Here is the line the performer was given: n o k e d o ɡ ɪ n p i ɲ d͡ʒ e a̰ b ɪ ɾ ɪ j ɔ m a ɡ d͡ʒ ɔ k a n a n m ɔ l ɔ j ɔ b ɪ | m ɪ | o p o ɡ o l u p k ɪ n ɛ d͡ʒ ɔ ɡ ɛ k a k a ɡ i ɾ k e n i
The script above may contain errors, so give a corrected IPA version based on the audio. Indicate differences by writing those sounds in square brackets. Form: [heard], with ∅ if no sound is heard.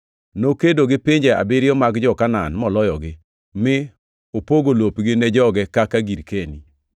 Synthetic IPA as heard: n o k e d o ɡ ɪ [∅] p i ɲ d͡ʒ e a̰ b ɪ ɾ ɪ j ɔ m a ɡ d͡ʒ ɔ k a n a n m ɔ l ɔ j ɔ [ɡ] ɪ | m ɪ | o p o ɡ o l [o] p [ɡ] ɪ n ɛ d͡ʒ ɔ ɡ ɛ k a k a ɡ i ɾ k e n i